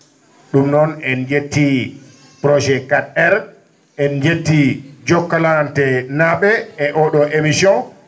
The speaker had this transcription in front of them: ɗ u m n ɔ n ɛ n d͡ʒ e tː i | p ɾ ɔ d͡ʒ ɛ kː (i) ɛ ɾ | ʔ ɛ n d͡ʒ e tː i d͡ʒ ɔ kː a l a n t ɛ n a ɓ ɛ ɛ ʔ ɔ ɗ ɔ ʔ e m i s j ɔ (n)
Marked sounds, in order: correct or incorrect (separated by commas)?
incorrect, correct